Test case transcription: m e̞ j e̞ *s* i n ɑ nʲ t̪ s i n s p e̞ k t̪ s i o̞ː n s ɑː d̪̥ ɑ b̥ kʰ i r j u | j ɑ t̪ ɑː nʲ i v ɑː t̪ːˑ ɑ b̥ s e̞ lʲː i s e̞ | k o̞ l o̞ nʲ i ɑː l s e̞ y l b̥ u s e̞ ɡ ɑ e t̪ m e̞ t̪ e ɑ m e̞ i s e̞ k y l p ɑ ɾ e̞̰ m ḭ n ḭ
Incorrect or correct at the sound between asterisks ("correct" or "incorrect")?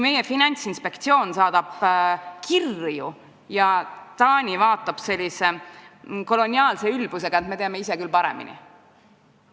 incorrect